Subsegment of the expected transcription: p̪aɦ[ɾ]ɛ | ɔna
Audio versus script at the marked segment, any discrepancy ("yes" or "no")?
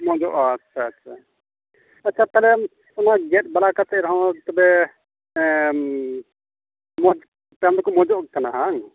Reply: yes